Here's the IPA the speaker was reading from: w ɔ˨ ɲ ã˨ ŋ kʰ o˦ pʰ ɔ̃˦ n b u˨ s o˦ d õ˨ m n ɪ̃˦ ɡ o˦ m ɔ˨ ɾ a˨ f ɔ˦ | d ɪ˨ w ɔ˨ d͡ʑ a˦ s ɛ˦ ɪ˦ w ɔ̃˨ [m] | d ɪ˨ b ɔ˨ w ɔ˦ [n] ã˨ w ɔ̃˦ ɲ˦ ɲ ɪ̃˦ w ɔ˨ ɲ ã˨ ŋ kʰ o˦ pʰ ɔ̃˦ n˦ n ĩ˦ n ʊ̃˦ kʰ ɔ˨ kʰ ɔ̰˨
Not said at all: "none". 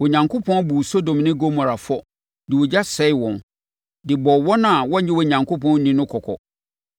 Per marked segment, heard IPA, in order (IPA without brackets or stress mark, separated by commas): n, n